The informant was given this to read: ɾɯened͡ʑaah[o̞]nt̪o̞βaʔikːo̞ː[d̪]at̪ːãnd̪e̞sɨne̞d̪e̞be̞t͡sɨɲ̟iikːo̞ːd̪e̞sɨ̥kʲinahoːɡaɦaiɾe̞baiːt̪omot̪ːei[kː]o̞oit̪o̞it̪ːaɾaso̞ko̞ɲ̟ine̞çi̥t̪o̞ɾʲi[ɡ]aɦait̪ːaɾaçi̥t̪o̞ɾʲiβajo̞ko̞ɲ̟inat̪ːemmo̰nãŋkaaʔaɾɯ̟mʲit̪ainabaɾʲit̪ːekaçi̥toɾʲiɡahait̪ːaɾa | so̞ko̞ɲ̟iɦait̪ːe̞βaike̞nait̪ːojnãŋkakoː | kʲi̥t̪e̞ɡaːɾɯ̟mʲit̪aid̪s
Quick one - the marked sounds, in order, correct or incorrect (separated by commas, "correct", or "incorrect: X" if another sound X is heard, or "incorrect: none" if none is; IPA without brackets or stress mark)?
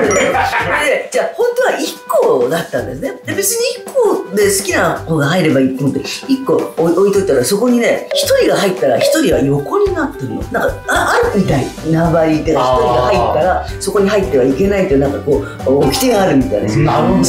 incorrect: õ̞, correct, correct, correct